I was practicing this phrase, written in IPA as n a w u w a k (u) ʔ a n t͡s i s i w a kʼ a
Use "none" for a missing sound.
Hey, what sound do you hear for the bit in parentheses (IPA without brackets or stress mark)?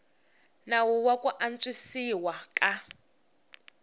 u